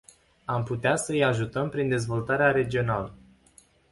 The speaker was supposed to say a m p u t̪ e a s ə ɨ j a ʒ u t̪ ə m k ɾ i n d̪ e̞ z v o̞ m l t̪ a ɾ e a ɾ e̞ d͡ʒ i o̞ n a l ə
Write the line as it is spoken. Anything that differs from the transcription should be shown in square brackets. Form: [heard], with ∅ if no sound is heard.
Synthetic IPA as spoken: a m p u t̪ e a s ə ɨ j a ʒ u t̪ ə m [p] ɾ i n d̪ e̞ z v o̞ [∅] l t̪ a ɾ e a ɾ e̞ d͡ʒ i o̞ n a l ə